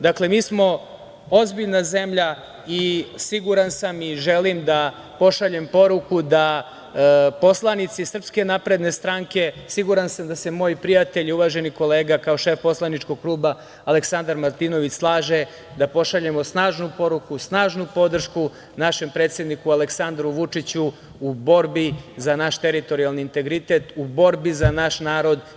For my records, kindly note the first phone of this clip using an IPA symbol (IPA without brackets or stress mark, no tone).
d̪